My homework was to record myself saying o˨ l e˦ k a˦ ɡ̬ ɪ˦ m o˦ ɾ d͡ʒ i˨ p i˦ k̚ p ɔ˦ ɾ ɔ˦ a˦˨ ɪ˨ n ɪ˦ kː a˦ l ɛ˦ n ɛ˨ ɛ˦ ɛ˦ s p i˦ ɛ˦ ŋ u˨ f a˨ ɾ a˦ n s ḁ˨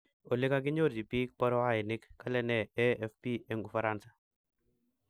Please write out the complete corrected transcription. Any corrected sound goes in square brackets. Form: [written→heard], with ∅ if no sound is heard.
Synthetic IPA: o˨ l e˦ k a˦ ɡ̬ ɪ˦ [m→ɲ] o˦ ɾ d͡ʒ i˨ p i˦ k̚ p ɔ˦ ɾ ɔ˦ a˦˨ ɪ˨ n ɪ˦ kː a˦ l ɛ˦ n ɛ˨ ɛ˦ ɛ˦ [s→f] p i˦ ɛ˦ ŋ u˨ f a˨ ɾ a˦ n s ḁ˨